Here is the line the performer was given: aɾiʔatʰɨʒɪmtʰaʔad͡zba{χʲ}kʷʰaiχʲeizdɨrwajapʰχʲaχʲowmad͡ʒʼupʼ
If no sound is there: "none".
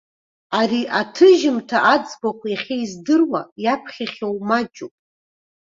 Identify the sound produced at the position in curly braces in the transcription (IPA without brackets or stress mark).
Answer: none